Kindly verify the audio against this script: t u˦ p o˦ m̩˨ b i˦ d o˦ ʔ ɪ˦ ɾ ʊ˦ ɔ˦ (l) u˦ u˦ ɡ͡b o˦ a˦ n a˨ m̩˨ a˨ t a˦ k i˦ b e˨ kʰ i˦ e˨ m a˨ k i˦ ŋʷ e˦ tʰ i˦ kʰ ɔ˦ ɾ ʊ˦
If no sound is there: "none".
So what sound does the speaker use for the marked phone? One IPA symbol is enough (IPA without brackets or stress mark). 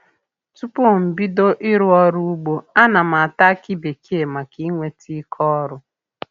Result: ɾ